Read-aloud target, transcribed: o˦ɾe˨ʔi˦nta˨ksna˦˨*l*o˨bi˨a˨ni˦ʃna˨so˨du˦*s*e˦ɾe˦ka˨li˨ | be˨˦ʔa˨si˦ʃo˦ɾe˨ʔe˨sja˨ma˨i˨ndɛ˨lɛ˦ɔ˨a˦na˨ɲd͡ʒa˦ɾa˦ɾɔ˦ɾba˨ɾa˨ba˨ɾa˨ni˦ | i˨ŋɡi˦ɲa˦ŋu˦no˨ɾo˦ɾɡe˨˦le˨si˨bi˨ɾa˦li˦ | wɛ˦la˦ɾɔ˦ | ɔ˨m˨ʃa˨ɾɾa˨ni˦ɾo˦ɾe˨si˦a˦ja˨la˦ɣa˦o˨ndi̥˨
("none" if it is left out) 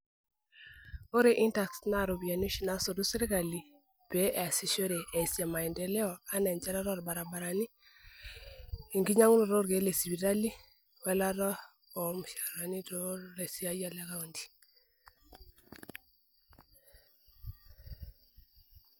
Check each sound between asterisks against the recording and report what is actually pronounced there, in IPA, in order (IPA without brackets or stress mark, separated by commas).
ɾ, s